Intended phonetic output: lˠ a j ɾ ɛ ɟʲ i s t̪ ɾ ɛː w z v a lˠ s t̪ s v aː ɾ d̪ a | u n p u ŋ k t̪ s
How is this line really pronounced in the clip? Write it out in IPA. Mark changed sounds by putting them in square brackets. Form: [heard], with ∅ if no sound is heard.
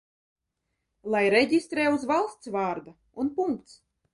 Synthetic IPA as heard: lˠ a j ɾ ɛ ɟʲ i s t̪ ɾ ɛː [u] z v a lˠ s t̪ s v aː ɾ d̪ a | u n p u ŋ k t̪ s